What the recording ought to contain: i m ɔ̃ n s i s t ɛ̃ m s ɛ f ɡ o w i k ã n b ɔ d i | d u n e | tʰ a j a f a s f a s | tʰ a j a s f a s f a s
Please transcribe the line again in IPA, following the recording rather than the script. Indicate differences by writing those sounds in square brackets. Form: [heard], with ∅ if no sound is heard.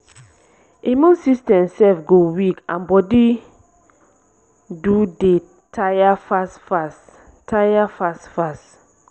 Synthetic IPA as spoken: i m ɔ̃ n s i s t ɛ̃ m s ɛ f ɡ o w i k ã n b ɔ d i | d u [d] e | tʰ a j a f a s f a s | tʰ a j a [∅] f a s f a s